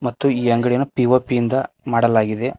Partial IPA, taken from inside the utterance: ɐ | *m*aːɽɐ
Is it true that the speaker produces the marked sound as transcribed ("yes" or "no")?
yes